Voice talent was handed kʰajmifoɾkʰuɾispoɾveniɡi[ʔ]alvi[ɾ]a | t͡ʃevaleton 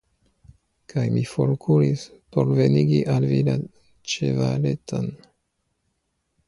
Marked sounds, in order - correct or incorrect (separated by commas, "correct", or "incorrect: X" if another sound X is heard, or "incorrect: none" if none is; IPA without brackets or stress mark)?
correct, incorrect: l